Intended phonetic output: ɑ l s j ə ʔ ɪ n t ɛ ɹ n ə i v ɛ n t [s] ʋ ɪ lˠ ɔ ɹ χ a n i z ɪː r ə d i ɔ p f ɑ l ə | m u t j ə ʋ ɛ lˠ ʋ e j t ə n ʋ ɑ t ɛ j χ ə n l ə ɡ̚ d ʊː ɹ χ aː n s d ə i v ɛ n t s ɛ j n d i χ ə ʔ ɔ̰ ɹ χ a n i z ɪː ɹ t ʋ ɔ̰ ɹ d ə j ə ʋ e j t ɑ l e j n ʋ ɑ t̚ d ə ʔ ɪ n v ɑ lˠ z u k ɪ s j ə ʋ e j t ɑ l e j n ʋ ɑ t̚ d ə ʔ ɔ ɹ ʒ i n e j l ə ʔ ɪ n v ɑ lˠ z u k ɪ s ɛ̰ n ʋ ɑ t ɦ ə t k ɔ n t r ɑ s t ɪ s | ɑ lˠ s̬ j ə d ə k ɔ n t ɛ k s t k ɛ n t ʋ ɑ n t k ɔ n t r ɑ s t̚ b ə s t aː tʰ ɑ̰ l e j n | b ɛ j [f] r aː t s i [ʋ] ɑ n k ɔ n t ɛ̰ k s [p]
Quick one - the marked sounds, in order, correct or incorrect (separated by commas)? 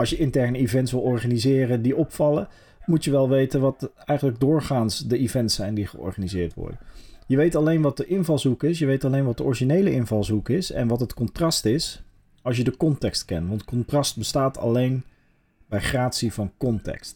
correct, incorrect, incorrect, incorrect